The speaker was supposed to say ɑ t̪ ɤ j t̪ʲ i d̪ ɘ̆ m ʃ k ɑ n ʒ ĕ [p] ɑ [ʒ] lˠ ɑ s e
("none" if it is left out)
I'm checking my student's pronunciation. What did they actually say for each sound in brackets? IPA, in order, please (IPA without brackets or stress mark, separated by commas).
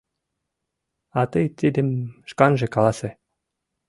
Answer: k, none